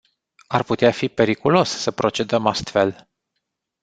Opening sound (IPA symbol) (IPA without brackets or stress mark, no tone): a